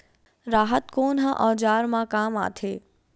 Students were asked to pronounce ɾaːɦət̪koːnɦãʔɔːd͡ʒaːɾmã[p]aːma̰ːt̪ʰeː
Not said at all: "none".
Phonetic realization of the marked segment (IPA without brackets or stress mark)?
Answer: k